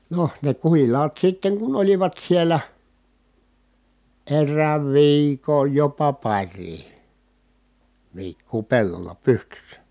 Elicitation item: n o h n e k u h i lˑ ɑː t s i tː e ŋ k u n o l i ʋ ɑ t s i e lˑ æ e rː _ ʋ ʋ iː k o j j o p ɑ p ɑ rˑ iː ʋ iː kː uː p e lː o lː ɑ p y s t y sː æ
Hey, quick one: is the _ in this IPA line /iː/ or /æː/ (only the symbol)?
æː